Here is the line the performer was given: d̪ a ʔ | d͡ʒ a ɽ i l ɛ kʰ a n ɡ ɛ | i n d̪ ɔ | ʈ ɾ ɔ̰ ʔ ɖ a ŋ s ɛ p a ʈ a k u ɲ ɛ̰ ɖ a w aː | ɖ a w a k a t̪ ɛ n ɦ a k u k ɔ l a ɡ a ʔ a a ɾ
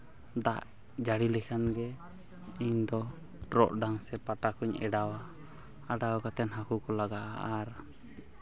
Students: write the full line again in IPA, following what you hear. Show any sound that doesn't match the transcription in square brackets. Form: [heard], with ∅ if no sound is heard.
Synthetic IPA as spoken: d̪ a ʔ | d͡ʒ a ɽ i l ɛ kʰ a n ɡ ɛ | i [ɲ] d̪ ɔ | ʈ ɾ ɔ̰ ʔ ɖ a ŋ s ɛ p a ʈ a k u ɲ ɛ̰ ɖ a w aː | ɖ a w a k a t̪ ɛ n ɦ a k u k ɔ l a ɡ a ʔ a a ɾ